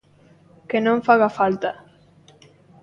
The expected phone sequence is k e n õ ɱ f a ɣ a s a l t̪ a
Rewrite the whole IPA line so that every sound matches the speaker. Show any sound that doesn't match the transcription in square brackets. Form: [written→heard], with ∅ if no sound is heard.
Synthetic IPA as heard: k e n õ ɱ f a ɣ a [s→f] a l t̪ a